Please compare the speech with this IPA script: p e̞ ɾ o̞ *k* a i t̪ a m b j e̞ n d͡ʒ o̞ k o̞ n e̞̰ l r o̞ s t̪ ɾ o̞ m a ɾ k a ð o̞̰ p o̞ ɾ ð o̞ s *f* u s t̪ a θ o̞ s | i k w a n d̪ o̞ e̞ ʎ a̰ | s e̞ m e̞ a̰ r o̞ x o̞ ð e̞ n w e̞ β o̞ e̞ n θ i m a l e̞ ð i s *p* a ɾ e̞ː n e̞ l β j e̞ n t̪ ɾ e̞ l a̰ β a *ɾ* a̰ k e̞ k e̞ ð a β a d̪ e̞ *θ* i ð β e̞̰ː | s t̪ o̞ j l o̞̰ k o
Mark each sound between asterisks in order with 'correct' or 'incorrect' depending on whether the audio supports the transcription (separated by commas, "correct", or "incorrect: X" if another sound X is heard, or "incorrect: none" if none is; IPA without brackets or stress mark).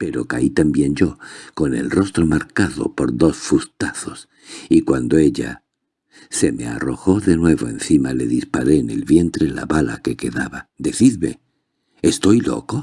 correct, correct, correct, incorrect: l, correct